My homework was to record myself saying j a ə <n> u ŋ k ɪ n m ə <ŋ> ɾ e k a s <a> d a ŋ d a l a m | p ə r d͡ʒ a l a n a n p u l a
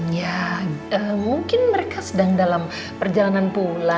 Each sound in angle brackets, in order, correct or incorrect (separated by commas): incorrect, incorrect, incorrect